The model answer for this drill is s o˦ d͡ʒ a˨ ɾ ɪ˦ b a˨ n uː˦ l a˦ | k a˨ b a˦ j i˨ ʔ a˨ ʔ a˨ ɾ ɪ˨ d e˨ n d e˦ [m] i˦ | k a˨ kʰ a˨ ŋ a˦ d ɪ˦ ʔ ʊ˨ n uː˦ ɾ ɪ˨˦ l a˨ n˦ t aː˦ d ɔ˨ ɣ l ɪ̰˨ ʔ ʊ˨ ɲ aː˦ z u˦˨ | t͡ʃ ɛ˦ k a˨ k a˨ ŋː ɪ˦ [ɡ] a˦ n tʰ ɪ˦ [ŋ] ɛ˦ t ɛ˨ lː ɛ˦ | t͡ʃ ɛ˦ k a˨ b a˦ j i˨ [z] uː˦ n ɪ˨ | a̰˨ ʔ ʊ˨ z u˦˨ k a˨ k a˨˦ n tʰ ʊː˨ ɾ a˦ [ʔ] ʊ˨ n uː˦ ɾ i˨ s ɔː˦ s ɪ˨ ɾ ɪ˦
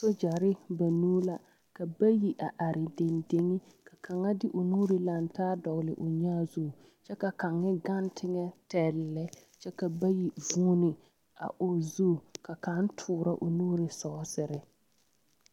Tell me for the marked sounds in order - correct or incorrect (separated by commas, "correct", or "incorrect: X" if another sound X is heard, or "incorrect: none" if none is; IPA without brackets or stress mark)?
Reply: incorrect: ŋ, correct, correct, incorrect: v, correct